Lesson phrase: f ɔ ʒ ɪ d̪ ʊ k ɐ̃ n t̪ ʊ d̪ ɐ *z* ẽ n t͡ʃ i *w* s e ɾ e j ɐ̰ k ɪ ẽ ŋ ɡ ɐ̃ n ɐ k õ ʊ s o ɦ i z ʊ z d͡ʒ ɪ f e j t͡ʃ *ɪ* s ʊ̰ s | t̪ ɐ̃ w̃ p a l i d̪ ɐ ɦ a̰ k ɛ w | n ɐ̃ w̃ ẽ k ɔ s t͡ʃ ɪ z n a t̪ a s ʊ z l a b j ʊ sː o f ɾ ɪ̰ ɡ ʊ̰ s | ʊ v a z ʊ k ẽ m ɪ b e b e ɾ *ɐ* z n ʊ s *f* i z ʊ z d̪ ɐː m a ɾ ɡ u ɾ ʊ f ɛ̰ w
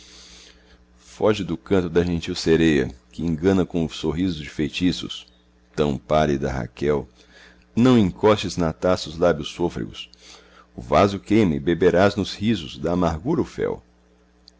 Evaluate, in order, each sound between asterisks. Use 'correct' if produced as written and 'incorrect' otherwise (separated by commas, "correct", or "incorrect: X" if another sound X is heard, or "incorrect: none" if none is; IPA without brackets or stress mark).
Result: incorrect: ʒ, correct, incorrect: i, incorrect: a, incorrect: h